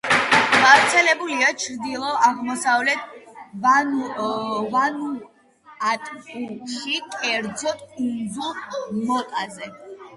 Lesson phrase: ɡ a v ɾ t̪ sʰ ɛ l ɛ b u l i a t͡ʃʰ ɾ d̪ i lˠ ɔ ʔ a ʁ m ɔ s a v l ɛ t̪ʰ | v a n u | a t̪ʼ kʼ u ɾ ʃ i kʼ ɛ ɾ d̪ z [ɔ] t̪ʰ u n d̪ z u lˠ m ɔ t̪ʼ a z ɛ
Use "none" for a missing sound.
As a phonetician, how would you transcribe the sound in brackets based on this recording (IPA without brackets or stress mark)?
ɔ